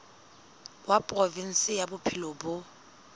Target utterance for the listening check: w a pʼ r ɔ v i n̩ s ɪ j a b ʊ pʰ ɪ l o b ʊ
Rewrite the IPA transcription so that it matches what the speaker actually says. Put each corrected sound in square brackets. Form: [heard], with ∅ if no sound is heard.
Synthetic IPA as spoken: w a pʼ r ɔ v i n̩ s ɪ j a b ʊ pʰ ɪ l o b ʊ